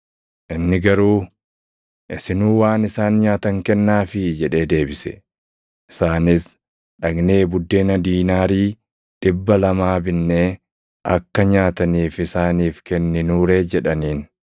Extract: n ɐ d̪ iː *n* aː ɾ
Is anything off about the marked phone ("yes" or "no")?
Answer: no